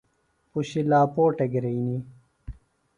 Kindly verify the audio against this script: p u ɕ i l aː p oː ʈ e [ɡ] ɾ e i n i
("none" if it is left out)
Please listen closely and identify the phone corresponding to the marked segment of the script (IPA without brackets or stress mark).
ɡ